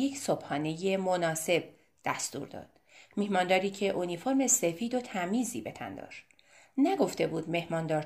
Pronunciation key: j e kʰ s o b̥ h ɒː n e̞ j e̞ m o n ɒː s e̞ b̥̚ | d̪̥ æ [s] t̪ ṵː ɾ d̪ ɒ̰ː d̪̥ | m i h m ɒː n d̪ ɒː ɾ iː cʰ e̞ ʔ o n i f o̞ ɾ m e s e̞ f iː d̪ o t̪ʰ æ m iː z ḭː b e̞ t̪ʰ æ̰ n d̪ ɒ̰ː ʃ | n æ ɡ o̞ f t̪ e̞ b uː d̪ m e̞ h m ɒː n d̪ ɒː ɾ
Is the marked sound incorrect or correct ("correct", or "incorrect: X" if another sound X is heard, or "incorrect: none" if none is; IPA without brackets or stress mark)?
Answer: correct